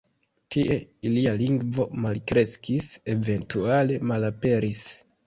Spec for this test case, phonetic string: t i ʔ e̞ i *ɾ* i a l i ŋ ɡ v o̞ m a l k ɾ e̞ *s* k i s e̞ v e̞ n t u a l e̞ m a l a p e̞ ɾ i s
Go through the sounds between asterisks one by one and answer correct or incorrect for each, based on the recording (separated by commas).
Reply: incorrect, correct